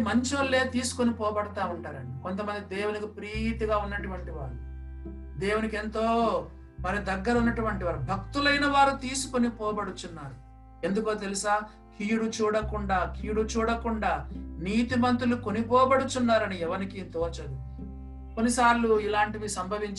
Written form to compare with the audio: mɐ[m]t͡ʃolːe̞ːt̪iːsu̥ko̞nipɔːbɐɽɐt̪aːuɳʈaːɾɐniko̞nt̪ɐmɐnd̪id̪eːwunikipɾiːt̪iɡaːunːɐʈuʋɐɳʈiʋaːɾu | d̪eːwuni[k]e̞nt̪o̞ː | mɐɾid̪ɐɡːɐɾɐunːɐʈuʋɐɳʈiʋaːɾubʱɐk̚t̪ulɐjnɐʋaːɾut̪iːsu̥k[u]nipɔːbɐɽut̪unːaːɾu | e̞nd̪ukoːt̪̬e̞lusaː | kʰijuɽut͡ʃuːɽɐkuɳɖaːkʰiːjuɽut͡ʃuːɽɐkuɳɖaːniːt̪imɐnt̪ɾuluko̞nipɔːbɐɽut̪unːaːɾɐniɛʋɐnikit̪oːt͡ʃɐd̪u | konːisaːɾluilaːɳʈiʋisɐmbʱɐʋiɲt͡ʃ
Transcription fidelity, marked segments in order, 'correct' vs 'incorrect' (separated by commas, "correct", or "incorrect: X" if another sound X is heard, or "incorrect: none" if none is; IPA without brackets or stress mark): incorrect: ɲ, correct, incorrect: o